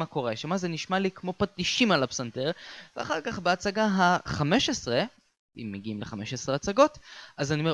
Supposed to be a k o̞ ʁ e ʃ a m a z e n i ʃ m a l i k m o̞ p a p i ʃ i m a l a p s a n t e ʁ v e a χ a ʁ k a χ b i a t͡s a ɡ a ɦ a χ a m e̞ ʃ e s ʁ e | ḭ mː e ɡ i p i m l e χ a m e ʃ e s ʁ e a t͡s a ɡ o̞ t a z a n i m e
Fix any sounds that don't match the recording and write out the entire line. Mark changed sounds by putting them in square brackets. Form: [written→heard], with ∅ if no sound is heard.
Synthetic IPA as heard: a k o̞ ʁ e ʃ a m a z e n i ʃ m a l i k m o̞ p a [p→t] i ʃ i m a l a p s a n t e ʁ v e a χ a ʁ k a χ b [i→e] a t͡s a ɡ a ɦ a χ a m e̞ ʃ e s ʁ e | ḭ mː e ɡ i [p→∅] i m l e χ a m e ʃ e s ʁ e a t͡s a ɡ o̞ t a z a n i m e